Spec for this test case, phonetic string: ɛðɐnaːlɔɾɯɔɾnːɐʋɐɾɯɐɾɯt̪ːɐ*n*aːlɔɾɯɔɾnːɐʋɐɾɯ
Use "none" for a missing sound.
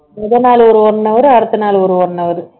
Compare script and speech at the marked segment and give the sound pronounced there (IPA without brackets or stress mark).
n